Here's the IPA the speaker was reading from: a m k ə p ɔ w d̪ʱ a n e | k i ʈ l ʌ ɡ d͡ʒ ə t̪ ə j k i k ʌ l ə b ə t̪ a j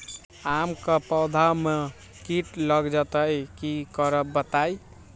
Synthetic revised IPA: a m k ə p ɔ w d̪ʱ a m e | k i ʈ l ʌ ɡ d͡ʒ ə t̪ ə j k i k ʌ ɾ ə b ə t̪ a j